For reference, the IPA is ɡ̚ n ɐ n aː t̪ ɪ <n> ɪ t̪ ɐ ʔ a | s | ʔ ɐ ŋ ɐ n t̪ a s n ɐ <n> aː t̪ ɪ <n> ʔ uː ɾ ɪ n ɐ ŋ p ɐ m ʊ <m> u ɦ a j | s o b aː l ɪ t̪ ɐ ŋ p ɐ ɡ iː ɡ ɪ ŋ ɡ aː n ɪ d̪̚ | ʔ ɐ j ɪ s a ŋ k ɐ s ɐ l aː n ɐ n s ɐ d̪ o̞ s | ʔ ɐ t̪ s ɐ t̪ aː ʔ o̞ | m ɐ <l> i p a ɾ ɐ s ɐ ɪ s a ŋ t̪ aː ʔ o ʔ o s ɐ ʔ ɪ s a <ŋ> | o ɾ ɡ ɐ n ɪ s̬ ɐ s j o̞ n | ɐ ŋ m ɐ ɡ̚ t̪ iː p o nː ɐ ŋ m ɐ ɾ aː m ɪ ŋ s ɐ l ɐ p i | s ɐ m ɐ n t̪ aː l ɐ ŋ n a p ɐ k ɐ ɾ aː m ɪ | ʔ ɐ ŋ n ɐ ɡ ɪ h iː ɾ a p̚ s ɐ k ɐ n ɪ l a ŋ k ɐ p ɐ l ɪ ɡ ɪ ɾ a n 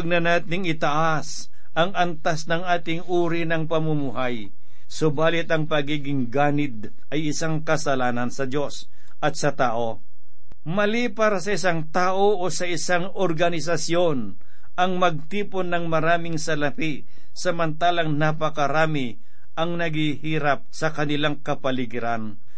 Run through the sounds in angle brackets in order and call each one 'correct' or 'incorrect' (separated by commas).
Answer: incorrect, incorrect, incorrect, correct, correct, correct